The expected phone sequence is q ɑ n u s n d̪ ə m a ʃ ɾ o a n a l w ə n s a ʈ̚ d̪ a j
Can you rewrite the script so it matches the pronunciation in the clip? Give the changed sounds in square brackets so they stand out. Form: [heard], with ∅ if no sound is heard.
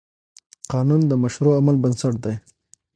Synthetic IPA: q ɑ n u [∅] n d̪ ə m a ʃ ɾ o a [m] a l [b] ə n s a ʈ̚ d̪ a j

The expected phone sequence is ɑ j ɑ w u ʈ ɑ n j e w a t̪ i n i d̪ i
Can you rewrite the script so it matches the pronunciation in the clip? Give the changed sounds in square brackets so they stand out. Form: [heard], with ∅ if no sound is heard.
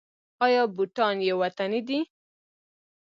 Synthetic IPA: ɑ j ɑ [b] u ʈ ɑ n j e w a t̪ [a] n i d̪ i

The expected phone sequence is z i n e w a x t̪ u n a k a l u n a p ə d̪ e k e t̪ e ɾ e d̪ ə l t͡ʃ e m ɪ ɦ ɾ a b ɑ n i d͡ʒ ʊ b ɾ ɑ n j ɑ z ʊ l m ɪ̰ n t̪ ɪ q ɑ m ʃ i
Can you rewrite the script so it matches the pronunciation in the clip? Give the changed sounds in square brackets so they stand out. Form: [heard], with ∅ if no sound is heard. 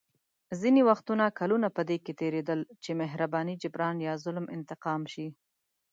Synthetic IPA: z i n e w a x t̪ u n a k a l u n a p ə d̪ e k e t̪ e ɾ e d̪ ə l t͡ʃ e m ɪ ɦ ɾ a b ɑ n i d͡ʒ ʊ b ɾ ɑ n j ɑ z ʊ l m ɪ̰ n t̪ ɪ q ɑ m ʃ i

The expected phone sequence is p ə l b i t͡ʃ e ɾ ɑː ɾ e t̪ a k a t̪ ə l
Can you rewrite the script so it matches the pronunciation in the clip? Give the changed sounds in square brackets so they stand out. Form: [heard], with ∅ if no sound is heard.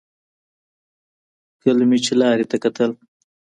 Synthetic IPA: [k] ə l [m] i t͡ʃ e [l] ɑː ɾ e t̪ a k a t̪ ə l

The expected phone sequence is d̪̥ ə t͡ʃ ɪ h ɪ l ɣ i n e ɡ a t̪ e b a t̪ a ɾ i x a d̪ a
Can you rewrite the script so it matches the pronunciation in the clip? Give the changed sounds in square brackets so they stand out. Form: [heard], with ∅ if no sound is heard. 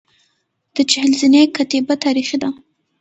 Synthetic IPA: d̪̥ ə t͡ʃ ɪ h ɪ l [z] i n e [k] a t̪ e b a t̪ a ɾ i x [i] d̪ a

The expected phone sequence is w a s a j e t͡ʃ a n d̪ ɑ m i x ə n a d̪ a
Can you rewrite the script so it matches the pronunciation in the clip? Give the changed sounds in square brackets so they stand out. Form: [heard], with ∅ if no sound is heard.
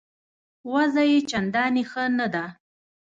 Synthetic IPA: w a [z] a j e t͡ʃ a n d̪ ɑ [n] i x ə n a d̪ a

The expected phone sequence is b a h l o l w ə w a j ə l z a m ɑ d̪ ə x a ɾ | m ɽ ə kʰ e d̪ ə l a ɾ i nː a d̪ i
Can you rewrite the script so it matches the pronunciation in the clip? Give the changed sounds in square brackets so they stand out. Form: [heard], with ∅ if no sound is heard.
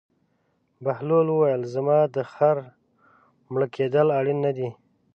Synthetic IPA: b a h l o l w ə w a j ə l z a m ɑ d̪ ə x a ɾ | m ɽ ə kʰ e d̪ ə l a [ɽ] i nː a d̪ i

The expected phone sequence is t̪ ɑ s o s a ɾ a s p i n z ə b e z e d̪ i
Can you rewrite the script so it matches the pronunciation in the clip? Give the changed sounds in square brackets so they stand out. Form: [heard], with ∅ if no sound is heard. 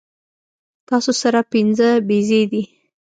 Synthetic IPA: t̪ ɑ s o s a ɾ a [∅] p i n z ə b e z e d̪ i

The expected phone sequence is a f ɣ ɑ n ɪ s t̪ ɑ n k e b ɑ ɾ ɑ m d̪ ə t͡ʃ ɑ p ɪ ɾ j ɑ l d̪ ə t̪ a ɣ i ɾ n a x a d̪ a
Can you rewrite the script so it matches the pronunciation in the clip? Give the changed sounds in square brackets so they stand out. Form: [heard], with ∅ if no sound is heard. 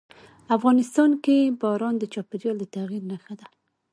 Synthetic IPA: a f ɣ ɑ n ɪ s t̪ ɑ n k e b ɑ ɾ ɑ [n] d̪ ə t͡ʃ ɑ p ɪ ɾ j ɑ l d̪ ə t̪ a ɣ i ɾ n a x a d̪ a

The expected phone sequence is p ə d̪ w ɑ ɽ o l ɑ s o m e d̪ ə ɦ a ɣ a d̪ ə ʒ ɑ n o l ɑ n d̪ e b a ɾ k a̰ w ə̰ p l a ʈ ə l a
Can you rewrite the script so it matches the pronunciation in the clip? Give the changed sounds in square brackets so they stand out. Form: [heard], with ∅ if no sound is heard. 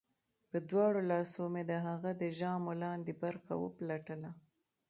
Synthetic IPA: p ə d̪ w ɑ ɽ o l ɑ s o m e d̪ ə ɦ a ɣ a d̪ ə ʒ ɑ [m] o l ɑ n d̪ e b a ɾ [x] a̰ w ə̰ p l a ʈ ə l a

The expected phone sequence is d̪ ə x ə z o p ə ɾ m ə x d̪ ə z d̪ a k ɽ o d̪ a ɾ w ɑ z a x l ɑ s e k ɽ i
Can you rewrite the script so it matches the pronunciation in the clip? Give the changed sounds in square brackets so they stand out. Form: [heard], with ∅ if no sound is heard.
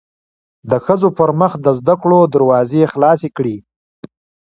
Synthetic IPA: d̪ ə x ə z o p ə ɾ m ə x d̪ ə z d̪ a k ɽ o d̪ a ɾ w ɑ z [e] x l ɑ s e k ɽ i

